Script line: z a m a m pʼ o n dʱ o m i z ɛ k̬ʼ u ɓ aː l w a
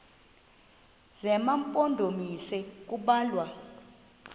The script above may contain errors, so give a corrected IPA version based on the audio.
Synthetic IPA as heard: z ɛ m a m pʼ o n dʱ o m i s ɛ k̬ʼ u ɓ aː l w a